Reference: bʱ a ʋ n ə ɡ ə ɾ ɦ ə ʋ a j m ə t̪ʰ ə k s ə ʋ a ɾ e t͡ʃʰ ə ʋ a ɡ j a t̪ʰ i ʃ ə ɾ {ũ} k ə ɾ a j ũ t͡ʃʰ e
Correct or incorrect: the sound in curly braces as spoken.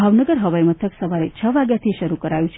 incorrect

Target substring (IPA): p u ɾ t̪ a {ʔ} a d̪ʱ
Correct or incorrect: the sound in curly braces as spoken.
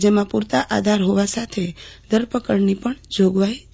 correct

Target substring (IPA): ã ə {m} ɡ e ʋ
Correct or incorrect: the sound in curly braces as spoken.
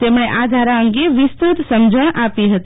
incorrect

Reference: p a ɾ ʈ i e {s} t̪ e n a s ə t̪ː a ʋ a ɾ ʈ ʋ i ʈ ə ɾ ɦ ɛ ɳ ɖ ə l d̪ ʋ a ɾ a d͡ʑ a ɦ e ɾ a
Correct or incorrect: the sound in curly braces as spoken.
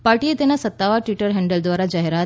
incorrect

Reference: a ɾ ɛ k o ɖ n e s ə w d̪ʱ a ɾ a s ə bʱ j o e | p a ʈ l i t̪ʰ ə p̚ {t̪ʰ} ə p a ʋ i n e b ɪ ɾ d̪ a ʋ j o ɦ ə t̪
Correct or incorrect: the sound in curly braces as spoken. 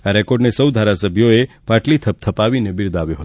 correct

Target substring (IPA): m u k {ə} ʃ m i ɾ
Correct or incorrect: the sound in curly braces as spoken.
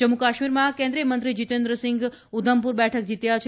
incorrect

